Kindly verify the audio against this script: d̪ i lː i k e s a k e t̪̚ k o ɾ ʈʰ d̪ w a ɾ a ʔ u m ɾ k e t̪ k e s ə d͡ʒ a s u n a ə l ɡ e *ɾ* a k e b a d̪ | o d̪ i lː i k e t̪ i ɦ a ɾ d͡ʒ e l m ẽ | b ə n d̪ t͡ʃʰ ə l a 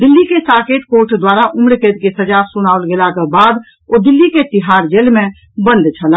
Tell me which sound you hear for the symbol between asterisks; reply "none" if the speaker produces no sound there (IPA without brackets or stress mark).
l